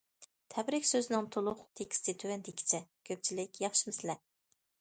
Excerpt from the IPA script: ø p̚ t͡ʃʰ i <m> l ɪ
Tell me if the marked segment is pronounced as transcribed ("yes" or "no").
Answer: no